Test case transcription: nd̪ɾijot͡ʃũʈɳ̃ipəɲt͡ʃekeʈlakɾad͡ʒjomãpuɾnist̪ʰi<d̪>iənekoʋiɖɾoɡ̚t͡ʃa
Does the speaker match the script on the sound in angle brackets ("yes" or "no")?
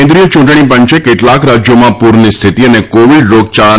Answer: no